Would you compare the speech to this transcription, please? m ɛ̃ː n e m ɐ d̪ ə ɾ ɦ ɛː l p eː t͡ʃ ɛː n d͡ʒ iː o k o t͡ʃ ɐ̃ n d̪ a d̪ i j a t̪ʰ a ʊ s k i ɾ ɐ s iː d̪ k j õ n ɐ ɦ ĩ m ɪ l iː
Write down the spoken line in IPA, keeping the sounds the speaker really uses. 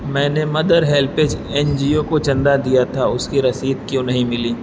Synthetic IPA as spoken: m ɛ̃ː n e m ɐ d̪ ə ɾ ɦ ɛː l p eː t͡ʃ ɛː n d͡ʒ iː o k o t͡ʃ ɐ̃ n d̪ a d̪ i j a t̪ʰ a ʊ s k i ɾ ɐ s iː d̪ k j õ n ɐ ɦ ĩ m ɪ l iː